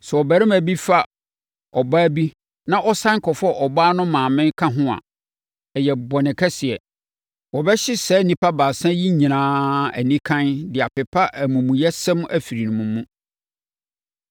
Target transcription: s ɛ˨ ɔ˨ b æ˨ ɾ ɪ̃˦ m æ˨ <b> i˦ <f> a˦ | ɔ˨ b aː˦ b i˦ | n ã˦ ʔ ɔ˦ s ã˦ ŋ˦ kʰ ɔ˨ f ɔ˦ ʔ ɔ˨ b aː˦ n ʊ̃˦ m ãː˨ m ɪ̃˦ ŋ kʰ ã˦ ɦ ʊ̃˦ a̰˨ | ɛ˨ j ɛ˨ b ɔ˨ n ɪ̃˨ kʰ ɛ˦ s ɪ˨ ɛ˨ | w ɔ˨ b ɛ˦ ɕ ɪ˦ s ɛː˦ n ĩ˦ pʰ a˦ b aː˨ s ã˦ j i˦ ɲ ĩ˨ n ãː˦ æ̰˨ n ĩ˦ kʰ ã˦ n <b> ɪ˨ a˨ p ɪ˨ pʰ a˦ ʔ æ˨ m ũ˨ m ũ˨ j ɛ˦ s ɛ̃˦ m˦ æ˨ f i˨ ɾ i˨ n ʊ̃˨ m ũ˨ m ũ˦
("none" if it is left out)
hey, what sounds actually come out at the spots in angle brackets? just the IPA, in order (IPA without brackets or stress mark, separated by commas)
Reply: b, f, d